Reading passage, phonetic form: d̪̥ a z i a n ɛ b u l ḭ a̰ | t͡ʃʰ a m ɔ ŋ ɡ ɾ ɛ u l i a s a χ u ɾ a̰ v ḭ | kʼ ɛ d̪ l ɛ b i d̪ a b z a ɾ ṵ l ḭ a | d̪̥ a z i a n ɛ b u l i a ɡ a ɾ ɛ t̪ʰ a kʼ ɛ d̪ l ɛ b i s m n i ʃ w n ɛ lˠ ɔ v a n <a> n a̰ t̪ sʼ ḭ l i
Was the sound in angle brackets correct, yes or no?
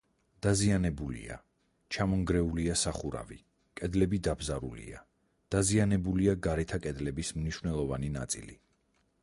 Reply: no